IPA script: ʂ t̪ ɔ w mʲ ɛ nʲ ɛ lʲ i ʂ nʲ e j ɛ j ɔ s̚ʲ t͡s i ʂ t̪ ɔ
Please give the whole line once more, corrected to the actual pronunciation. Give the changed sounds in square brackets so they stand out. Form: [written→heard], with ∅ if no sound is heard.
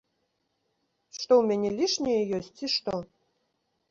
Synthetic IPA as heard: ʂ t̪ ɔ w mʲ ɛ nʲ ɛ lʲ i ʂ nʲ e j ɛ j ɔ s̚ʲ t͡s i ʂ t̪ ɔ